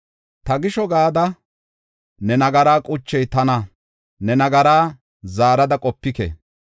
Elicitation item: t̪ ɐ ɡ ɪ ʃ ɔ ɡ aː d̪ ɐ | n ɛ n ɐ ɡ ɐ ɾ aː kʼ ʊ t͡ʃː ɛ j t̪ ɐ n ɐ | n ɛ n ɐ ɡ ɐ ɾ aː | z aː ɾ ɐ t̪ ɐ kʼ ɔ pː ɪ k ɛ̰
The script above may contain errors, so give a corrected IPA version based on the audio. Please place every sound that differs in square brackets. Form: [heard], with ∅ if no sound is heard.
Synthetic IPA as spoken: t̪ ɐ ɡ ɪ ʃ ɔ ɡ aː d̪ ɐ | n ɛ n ɐ ɡ ɐ ɾ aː kʼ ʊ t͡ʃː ɛ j t̪ ɐ n ɐ | n ɛ n ɐ ɡ ɐ ɾ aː | z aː ɾ ɐ [d̪] ɐ kʼ ɔ pː ɪ k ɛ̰

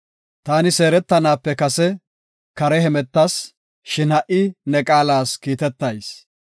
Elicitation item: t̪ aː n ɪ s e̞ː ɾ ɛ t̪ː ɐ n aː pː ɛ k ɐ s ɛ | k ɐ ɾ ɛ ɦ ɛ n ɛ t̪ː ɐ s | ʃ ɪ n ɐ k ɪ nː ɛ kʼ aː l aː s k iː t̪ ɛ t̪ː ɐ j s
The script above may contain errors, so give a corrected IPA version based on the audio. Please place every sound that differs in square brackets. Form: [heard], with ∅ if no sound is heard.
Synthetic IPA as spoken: t̪ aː n ɪ s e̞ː ɾ ɛ t̪ː ɐ n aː pː ɛ k ɐ s ɛ | k ɐ ɾ ɛ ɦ ɛ [m] ɛ t̪ː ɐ s | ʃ ɪ n ɐ [ʔ] ɪ [n] ɛ kʼ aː l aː s k iː t̪ ɛ t̪ː ɐ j s

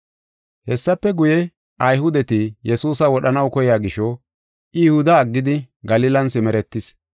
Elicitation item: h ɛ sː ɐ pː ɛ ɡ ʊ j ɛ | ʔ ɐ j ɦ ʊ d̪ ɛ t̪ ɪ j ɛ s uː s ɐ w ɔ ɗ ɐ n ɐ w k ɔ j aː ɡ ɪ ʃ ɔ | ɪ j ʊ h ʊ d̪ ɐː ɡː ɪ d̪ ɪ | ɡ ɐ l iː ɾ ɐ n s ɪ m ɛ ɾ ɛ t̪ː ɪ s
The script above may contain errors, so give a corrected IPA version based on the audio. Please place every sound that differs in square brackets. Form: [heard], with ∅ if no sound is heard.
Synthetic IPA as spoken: h ɛ sː ɐ pː ɛ ɡ ʊ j ɛ | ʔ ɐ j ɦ ʊ d̪ ɛ t̪ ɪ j ɛ s uː s ɐ w ɔ ɗ ɐ n ɐ w k ɔ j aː ɡ ɪ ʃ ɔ | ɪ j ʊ h ʊ d̪ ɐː ɡː ɪ d̪ ɪ | ɡ ɐ l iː [l] ɐ n s ɪ m ɛ ɾ ɛ t̪ː ɪ s

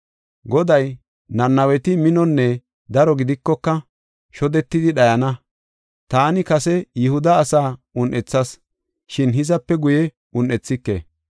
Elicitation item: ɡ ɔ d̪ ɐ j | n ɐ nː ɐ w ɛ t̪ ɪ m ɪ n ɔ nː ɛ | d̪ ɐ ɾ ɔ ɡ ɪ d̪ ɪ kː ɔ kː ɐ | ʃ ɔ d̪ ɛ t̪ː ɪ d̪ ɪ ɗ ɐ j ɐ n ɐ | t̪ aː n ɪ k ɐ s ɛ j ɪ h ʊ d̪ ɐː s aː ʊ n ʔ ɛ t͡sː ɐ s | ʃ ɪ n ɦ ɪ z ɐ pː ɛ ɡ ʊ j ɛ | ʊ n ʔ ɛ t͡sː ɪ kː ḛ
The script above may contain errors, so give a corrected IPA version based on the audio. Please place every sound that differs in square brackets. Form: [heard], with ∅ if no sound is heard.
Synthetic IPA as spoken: ɡ ɔ d̪ ɐ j | n ɐ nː ɐ w ɛ t̪ ɪ m ɪ n ɔ nː ɛ | d̪ ɐ ɾ ɔ ɡ ɪ d̪ ɪ kː ɔ kː ɐ | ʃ ɔ d̪ ɛ t̪ː ɪ d̪ ɪ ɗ ɐ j ɐ n ɐ | t̪ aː n ɪ k ɐ s ɛ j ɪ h ʊ d̪ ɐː s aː ʊ n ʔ ɛ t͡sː ɐ s | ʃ ɪ n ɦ ɪ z ɐ pː ɛ ɡ ʊ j ɛ | ʊ n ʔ ɛ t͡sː ɪ kː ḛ

